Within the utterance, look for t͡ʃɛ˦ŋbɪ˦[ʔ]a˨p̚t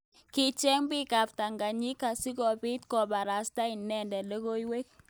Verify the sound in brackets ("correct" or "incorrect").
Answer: incorrect